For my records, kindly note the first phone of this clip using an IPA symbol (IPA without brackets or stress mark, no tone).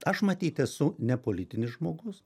ɐ